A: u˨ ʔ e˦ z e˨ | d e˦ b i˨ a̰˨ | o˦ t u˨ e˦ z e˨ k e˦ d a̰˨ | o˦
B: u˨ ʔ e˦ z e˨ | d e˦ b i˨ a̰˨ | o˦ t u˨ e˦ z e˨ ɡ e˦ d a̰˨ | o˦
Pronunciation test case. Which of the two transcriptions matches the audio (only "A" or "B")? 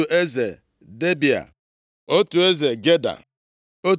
B